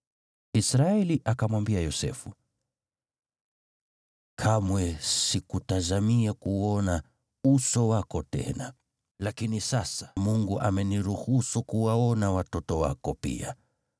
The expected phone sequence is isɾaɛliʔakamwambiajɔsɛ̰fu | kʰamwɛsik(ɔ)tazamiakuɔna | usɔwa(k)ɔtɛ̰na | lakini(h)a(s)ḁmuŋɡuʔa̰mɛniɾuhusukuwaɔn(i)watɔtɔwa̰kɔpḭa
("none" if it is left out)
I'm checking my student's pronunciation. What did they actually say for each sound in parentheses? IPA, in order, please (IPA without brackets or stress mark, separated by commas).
u, k, s, s, a